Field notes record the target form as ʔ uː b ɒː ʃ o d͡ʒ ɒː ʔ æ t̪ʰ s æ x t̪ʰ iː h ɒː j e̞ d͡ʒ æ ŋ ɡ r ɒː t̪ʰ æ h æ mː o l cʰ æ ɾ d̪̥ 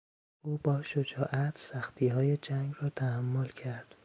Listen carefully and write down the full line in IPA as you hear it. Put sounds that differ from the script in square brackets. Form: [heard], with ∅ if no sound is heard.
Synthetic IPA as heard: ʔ uː b ɒː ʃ o d͡ʒ ɒː ʔ æ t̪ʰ s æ x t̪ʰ iː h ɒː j e̞ d͡ʒ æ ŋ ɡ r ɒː t̪ʰ æ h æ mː o l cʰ æ ɾ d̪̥